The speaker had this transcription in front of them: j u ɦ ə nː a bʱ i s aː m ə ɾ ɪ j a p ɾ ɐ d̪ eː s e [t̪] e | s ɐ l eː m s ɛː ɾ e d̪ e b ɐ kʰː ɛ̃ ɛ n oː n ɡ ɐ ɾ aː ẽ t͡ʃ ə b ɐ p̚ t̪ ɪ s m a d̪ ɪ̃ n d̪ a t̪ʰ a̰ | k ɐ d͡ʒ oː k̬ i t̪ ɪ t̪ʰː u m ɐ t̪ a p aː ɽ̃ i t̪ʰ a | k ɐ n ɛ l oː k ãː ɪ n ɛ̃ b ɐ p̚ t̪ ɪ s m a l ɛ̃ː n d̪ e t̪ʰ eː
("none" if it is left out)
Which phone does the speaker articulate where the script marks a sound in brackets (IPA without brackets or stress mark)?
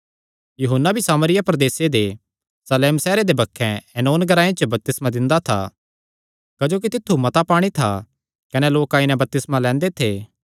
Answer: d̪